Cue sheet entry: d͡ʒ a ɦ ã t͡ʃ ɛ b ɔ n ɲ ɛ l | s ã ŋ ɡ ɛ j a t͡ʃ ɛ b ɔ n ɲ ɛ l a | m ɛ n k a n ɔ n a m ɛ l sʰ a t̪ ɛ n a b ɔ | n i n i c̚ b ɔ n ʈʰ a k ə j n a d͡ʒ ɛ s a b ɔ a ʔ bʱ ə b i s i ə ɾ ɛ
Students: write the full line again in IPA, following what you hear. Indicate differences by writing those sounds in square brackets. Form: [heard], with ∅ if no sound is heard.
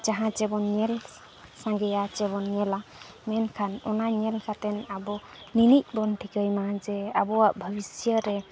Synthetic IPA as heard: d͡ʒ a ɦ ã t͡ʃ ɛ b ɔ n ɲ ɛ l | s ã ŋ ɡ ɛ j a t͡ʃ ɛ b ɔ n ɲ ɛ l a | m ɛ n [kʰ] a n ɔ n a [ɲ] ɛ l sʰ a t̪ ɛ n a b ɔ | n i n i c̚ b ɔ n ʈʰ [i] k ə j [m] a d͡ʒ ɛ [∅] a b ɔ a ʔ bʱ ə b i s [j] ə ɾ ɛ